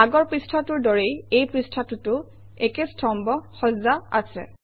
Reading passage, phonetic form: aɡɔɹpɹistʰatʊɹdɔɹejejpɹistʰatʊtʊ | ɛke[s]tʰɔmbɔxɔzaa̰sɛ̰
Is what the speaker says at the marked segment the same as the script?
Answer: yes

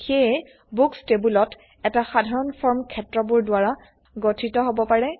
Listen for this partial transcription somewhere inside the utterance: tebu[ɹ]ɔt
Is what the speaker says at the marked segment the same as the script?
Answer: no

